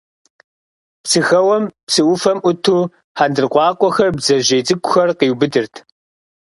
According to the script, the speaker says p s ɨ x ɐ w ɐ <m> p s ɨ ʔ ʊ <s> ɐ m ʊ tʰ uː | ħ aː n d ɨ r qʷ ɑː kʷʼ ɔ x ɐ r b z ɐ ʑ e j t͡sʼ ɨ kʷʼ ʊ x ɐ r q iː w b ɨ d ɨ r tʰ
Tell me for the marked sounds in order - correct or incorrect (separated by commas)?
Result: correct, incorrect